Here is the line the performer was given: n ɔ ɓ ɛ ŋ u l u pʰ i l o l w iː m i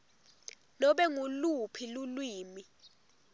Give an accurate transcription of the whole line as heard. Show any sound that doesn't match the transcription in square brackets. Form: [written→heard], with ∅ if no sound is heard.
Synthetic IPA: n ɔ ɓ ɛ ŋ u l u pʰ i l [o→u] l w iː m i